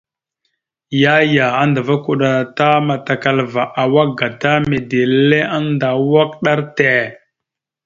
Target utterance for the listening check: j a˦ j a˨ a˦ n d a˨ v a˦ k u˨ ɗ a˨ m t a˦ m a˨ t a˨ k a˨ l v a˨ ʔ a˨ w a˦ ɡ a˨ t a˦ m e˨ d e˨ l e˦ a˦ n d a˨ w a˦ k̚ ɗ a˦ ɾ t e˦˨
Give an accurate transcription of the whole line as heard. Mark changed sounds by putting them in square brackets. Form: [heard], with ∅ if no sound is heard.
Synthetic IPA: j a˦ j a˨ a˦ n d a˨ v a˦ k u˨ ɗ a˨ [∅] t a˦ m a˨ t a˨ k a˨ l v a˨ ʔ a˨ w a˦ ɡ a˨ t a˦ m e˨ d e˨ l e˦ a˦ n d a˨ w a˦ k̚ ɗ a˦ ɾ t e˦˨